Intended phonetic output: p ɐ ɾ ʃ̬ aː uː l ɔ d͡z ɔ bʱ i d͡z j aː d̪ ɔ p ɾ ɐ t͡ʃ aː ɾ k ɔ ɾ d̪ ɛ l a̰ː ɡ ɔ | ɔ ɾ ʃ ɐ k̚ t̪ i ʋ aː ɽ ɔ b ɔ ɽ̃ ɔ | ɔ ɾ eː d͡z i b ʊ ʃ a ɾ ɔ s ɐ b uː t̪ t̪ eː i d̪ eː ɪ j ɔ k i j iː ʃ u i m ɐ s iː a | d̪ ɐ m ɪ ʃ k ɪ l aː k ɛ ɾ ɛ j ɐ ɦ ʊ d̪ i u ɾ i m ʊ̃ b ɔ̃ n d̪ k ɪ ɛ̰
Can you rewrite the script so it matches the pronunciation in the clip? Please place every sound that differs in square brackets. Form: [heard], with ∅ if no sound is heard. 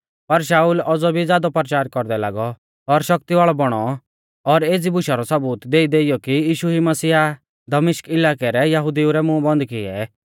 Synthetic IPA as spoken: p ɐ ɾ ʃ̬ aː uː l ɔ d͡z ɔ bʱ i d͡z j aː d̪ ɔ p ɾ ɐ t͡ʃ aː ɾ k ɔ ɾ d̪ ɛ l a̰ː ɡ ɔ | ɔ ɾ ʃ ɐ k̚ t̪ i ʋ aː [ɭ] ɔ b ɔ ɽ̃ ɔ | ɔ ɾ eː d͡z i b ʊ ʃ a ɾ ɔ s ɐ b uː t̪ [d̪] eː i d̪ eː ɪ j ɔ k i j iː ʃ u i m ɐ s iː a | d̪ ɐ m ɪ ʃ k ɪ l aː k ɛ ɾ ɛ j ɐ ɦ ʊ d̪ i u ɾ [ɛ] m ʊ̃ b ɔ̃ n d̪ k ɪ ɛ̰